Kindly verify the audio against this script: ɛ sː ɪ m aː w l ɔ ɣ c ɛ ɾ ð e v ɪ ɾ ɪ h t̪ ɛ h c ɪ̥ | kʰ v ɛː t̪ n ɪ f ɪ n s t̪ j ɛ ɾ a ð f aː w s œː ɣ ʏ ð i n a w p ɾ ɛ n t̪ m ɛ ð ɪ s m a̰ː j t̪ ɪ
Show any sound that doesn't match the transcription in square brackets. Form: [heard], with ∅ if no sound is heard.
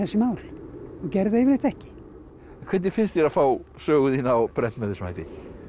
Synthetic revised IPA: ɛ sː ɪ m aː w l ɔ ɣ c ɛ ɾ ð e v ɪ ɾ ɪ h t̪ ɛ h c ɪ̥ | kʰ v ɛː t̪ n ɪ f ɪ n s t̪ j ɛ ɾ a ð f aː w s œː ɣ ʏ ð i n a w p ɾ ɛ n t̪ m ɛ ð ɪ s m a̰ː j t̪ ɪ